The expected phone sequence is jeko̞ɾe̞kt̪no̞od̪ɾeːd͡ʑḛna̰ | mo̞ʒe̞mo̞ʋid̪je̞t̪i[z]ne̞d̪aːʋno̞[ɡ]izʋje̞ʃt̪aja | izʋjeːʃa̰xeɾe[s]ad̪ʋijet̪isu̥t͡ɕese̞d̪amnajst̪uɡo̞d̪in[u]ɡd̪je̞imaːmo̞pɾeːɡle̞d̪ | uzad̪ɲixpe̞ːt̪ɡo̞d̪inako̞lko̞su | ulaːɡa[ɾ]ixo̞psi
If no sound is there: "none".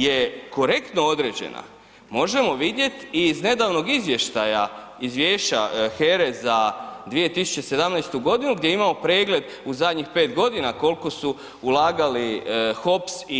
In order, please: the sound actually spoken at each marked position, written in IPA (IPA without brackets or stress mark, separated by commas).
z, ɡ, z, u, l